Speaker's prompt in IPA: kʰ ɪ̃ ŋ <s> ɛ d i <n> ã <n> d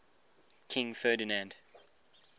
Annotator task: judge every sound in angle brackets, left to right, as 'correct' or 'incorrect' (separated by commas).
incorrect, correct, correct